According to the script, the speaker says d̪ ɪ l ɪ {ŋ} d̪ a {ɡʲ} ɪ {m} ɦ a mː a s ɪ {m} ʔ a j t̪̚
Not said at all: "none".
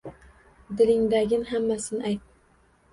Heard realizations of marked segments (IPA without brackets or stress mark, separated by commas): ŋ, ɡʲ, n, n